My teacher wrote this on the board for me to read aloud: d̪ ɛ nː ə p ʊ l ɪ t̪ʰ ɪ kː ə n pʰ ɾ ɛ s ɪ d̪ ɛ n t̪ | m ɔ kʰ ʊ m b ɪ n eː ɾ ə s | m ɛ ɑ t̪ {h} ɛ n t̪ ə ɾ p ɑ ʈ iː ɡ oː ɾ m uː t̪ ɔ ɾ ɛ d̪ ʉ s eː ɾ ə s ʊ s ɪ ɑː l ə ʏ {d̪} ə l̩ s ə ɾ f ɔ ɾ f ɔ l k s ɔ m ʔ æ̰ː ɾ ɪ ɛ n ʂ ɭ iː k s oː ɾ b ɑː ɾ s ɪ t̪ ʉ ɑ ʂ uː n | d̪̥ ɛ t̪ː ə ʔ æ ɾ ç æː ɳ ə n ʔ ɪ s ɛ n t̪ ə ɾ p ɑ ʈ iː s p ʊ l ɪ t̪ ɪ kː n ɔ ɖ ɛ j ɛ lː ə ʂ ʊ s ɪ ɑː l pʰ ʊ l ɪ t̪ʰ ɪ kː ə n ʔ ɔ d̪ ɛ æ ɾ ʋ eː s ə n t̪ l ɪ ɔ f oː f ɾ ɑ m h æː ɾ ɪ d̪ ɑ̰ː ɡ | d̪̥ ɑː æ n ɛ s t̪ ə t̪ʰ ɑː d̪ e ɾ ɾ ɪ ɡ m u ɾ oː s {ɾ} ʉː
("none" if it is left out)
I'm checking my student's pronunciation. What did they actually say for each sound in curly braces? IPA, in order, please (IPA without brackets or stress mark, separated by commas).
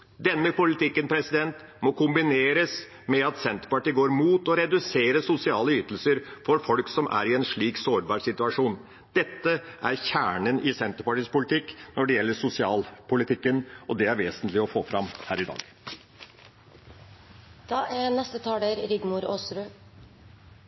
s, t̪, ɾ